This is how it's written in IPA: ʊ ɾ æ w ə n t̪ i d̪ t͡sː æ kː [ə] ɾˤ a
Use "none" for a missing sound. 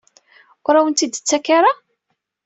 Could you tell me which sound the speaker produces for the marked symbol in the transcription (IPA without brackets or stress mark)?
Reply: a